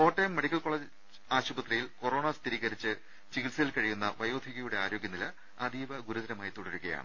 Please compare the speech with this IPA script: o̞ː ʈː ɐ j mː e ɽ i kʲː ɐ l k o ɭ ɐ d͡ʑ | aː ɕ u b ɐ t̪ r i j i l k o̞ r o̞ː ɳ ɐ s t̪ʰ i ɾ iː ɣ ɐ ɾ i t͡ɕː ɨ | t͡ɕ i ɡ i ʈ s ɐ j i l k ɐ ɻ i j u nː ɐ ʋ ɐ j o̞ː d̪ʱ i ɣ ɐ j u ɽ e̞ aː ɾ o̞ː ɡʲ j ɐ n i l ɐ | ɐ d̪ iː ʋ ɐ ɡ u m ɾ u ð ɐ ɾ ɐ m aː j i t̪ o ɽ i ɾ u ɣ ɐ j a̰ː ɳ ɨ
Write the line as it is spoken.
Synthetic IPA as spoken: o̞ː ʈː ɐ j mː e ɽ i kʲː ɐ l k o ɭ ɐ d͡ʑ | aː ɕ u b ɐ t̪ r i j i l k o̞ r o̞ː ɳ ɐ s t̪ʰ i ɾ iː ɣ ɐ ɾ i t͡ɕː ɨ | t͡ɕ i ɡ i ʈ s ɐ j i l k ɐ ɻ i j u nː ɐ ʋ ɐ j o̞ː d̪ʱ i ɣ ɐ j u ɽ e̞ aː ɾ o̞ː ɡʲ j ɐ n i l ɐ | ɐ d̪ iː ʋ ɐ ɡ u ɾ u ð ɐ ɾ ɐ m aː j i t̪ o ɽ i ɾ u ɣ ɐ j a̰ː ɳ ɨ